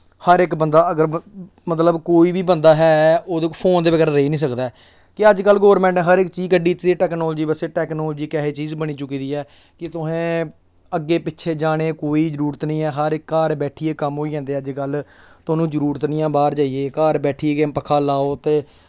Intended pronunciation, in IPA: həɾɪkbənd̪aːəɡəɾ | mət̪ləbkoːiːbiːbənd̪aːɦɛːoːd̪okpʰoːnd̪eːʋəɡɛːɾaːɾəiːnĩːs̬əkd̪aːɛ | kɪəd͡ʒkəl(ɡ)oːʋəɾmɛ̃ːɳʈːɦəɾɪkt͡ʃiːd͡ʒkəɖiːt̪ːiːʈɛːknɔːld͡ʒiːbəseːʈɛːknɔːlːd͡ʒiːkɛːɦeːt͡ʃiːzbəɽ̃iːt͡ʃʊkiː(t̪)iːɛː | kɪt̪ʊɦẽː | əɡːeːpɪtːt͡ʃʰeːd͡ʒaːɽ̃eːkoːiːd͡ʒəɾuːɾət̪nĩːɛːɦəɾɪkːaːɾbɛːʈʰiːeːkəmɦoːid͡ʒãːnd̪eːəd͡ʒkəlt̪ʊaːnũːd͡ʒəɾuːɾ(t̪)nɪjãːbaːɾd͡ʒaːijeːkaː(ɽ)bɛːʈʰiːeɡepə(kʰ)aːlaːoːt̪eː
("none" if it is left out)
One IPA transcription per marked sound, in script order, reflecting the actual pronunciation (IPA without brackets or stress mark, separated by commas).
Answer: ɡ, d̪, t̪, ɾ, kʰ